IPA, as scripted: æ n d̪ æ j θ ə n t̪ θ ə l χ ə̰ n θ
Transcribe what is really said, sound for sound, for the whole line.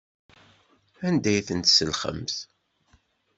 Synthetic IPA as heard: æ n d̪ æ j θ ə n t̪ s ə l χ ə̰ m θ